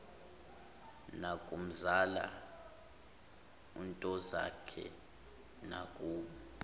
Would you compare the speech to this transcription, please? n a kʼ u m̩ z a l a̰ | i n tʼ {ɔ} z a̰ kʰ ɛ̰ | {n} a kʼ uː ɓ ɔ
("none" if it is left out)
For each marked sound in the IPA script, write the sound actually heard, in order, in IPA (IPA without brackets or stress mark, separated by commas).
ɔ, n